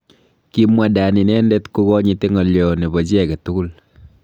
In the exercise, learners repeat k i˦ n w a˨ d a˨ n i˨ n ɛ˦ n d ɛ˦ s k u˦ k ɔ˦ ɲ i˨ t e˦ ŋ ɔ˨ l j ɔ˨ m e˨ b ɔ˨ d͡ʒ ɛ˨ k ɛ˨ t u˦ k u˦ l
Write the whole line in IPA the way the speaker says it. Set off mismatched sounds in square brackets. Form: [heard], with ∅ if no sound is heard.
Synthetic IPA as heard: k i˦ [m] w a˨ d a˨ n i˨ n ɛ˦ n d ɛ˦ [t] k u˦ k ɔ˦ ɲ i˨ t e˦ ŋ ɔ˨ l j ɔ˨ [n] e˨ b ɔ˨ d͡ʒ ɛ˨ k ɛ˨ t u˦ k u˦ l